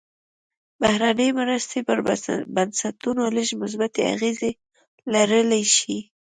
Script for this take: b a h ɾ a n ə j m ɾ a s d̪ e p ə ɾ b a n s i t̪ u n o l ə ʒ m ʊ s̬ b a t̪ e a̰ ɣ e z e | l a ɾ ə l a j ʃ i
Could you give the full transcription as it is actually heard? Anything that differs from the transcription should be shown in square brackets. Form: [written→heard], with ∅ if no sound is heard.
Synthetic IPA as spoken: b a h ɾ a n ə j m ɾ a s [d̪→t̪] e p ə ɾ b a n s [i→a] t̪ u n o l ə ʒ m ʊ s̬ b a t̪ e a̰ ɣ e z e | l a ɾ ə l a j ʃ i